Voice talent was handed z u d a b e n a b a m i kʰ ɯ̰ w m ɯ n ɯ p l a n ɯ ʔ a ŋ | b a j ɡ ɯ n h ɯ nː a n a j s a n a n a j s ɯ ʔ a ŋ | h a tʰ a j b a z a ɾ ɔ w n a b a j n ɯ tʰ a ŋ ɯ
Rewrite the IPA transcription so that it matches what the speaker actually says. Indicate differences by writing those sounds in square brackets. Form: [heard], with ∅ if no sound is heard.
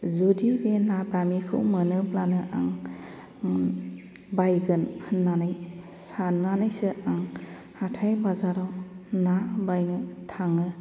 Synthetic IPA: z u d [i] b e n a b a m i kʰ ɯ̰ w m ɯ n ɯ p l a n ɯ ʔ a ŋ | b a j ɡ ɯ n h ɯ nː a n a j s a n a n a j s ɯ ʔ a ŋ | h a tʰ a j b a z a ɾ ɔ w n a b a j n ɯ tʰ a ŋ ɯ